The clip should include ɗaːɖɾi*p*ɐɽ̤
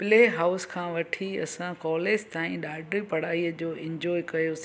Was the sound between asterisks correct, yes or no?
yes